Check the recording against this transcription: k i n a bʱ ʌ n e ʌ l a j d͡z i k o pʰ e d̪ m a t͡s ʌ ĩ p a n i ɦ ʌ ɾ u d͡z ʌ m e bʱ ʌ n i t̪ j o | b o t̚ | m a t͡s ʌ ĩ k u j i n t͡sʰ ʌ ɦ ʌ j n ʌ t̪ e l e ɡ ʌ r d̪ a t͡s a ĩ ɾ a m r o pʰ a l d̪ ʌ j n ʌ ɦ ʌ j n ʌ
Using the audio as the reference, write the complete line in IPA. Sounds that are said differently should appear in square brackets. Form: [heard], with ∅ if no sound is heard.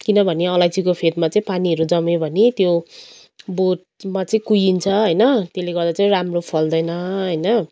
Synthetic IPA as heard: k i n [ʌ] bʱ ʌ n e ʌ l a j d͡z i k o pʰ e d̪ m a t͡s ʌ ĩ p a n i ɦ ʌ ɾ u d͡z ʌ m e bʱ ʌ n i t̪ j o | b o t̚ | m a t͡s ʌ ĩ k u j i n t͡sʰ ʌ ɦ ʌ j n ʌ t̪ e l e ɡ ʌ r d̪ a t͡s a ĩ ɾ a m r o pʰ [ʌ] l d̪ ʌ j n ʌ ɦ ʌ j n ʌ